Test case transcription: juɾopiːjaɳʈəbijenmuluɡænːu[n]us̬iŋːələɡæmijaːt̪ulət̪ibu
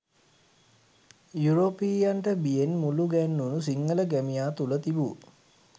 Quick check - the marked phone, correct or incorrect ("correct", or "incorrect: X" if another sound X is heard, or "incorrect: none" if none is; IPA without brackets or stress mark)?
correct